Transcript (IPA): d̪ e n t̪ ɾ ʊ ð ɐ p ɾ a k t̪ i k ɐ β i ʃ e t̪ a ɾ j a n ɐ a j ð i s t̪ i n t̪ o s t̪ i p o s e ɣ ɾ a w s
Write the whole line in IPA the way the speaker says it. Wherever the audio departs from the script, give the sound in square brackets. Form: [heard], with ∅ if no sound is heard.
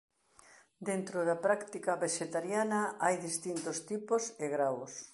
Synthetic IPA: d̪ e n t̪ ɾ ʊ ð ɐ p ɾ a k t̪ i k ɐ β [e] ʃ e t̪ a ɾ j a n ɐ a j ð i s t̪ i n t̪ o s t̪ i p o s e ɣ ɾ a w s